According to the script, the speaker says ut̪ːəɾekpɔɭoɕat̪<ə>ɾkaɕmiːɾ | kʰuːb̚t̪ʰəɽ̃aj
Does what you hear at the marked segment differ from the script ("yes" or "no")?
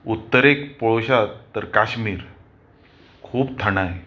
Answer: no